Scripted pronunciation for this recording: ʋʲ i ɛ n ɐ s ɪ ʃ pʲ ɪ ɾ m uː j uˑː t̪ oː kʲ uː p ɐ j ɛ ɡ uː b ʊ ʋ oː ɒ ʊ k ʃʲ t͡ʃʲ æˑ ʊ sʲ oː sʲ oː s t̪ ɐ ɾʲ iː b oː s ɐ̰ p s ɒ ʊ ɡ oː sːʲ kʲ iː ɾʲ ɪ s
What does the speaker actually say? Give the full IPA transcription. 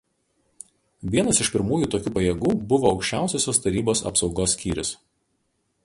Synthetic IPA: ʋʲ i ɛ n ɐ s ɪ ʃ pʲ ɪ ɾ m uː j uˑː t̪ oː kʲ uː p ɐ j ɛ ɡ uː b ʊ ʋ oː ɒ ʊ k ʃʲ t͡ʃʲ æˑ ʊ sʲ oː sʲ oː s t̪ ɐ ɾʲ iː b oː s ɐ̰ p s ɒ ʊ ɡ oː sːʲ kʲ iː ɾʲ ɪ s